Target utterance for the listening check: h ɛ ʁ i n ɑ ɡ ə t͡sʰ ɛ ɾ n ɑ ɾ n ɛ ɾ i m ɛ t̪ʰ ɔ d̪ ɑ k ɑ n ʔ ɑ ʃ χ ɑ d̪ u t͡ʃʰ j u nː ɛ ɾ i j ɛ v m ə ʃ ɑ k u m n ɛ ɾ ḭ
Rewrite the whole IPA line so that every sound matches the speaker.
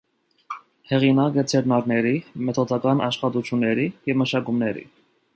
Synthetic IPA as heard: h ɛ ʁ i n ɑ k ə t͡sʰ ɛ ɾ n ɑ ɾ n ɛ ɾ i m ɛ t̪ʰ ɔ d̪ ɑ k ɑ n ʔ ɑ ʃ χ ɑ t̪ u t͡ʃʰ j u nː ɛ ɾ i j ɛ v m ə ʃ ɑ k u m n ɛ ɾ ḭ